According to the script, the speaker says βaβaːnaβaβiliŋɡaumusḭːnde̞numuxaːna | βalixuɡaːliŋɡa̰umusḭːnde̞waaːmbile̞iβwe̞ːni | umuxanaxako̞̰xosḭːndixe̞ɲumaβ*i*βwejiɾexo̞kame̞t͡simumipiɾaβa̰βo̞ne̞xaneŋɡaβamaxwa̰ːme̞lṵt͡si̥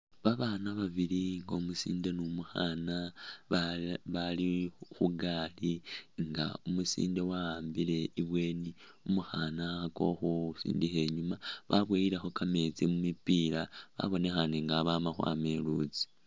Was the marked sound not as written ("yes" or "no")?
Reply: yes